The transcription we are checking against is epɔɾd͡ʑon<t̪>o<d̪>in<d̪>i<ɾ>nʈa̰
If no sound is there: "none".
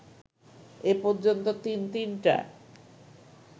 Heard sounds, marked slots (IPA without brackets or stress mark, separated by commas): t̪, t̪, t̪, none